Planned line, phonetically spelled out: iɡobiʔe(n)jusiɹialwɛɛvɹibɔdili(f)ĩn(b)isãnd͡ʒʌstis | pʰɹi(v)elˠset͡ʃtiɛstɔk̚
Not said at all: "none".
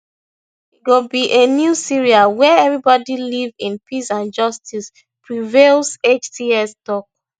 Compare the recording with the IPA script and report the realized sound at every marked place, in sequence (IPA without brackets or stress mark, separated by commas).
n, v, p, v